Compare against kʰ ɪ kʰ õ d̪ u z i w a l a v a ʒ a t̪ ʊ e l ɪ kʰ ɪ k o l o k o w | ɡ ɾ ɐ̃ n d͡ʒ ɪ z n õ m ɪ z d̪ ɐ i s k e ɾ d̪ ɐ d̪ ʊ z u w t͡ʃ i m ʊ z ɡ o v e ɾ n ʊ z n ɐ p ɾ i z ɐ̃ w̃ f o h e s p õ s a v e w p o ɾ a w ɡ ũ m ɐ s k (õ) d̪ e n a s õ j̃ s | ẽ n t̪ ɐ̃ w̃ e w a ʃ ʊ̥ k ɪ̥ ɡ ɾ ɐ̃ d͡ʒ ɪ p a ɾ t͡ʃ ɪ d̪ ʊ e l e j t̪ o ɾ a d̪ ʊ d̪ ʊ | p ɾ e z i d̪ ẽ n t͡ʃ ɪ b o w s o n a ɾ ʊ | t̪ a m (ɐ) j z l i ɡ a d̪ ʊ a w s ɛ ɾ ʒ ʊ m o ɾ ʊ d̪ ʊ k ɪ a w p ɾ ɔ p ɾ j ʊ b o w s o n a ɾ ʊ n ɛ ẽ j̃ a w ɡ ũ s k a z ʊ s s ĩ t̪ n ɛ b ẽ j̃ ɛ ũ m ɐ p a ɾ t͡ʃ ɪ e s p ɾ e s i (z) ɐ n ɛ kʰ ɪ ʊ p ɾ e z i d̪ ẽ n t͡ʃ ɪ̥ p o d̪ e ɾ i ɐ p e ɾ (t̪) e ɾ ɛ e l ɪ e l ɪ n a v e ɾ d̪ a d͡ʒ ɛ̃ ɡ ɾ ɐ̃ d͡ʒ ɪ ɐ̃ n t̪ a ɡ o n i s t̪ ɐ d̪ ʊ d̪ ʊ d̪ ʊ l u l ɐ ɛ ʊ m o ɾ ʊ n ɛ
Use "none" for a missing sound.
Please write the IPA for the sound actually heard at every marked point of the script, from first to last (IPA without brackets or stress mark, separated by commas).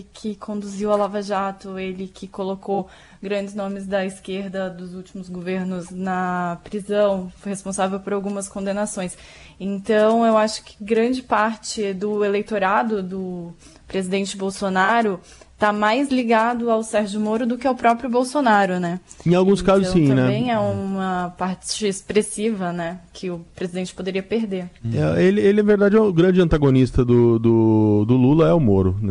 õ, a, v, d̪